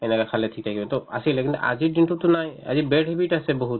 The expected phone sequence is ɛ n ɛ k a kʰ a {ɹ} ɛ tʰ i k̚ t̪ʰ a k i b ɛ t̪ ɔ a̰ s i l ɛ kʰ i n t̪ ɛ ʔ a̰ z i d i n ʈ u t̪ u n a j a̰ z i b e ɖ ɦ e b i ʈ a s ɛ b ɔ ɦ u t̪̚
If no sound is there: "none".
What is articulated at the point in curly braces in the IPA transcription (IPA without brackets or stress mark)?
l